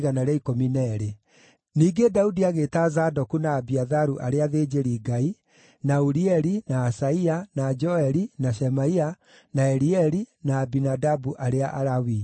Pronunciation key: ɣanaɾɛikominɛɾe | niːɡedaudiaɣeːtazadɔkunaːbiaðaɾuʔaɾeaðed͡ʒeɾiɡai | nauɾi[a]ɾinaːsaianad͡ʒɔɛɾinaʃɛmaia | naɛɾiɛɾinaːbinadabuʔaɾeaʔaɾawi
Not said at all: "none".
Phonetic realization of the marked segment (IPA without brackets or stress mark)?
ɛ